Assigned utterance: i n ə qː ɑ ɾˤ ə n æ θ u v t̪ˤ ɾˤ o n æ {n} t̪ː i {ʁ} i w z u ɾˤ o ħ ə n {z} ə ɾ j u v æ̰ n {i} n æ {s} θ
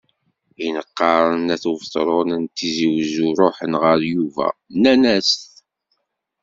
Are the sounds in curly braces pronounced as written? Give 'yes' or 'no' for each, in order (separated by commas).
yes, no, no, no, yes